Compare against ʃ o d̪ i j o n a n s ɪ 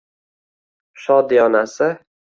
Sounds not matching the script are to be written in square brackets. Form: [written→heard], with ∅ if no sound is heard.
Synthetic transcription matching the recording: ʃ [o→ɒ] d̪ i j [o→ɒ] n a [n→∅] s ɪ